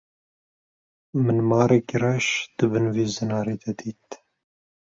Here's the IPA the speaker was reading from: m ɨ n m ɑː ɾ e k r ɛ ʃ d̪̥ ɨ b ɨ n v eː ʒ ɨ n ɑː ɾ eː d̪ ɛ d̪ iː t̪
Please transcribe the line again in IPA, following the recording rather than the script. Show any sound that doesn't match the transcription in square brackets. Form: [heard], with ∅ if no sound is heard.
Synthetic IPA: m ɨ n m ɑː ɾ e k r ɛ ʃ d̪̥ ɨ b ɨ n v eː [z] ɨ n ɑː ɾ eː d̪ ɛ d̪ iː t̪